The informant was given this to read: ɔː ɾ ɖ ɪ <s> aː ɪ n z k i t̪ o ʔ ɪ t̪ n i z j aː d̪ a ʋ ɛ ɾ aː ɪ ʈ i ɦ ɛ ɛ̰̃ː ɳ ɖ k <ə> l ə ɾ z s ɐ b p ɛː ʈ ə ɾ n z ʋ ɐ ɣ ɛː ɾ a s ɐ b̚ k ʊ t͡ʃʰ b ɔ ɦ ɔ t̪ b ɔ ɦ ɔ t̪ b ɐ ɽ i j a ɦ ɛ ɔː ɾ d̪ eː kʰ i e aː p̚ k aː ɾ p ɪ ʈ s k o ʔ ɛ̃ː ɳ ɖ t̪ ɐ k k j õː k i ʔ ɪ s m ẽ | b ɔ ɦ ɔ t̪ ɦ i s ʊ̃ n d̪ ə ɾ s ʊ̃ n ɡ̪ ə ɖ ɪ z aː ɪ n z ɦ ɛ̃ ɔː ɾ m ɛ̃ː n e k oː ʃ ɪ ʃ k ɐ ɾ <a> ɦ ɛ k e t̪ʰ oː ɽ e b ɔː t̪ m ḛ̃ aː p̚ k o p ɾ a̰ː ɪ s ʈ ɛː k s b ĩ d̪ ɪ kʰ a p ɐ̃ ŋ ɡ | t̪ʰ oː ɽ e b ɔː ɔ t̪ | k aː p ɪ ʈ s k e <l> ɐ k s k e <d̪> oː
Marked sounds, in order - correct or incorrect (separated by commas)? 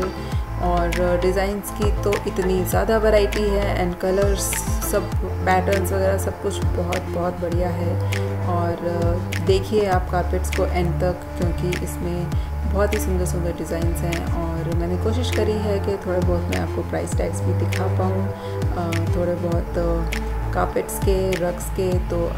incorrect, incorrect, incorrect, incorrect, incorrect